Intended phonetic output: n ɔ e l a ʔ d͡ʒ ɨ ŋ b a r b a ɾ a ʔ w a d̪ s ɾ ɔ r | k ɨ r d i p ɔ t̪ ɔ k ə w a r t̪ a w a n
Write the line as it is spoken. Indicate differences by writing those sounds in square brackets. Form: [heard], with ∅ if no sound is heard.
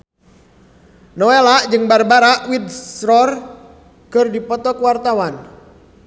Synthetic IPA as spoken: n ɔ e l a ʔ d͡ʒ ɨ ŋ b a r b a ɾ a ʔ w [i] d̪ s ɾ ɔ r | k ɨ r d i p ɔ t̪ ɔ k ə w a r t̪ a w a n